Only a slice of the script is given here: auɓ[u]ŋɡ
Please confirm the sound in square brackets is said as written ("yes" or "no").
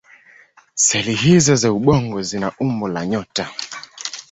no